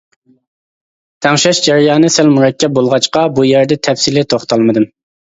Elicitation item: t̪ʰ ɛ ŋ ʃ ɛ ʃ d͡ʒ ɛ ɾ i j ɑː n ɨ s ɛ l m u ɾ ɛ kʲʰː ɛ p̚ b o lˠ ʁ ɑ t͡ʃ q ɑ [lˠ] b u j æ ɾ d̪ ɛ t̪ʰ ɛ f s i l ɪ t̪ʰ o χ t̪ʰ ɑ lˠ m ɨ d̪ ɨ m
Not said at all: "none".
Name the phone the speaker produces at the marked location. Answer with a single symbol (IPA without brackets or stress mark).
none